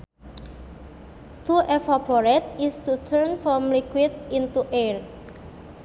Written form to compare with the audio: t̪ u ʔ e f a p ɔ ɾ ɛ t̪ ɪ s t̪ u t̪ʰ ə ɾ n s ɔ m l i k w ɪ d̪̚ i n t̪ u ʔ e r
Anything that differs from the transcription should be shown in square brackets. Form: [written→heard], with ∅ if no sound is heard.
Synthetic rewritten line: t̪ u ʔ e f a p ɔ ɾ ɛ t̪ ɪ s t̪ u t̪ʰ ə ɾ n [s→f] ɔ m l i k w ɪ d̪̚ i n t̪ u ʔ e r